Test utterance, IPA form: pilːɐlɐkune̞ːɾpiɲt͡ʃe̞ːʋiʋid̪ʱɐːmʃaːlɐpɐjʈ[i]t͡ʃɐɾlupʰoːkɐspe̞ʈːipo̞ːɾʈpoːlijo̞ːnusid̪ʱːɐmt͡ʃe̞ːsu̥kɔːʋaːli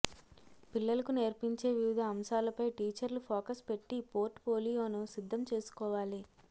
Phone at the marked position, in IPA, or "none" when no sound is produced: iː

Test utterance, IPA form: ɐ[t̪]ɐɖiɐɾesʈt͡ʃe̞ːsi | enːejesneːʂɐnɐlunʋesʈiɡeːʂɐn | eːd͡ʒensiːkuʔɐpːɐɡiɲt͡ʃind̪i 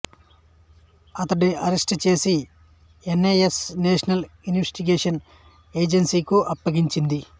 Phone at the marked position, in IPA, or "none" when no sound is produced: t̪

